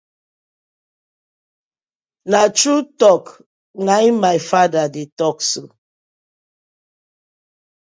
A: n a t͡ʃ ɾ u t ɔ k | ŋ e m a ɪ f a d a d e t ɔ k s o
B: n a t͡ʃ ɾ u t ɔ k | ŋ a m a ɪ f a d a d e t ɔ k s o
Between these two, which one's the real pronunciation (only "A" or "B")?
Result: B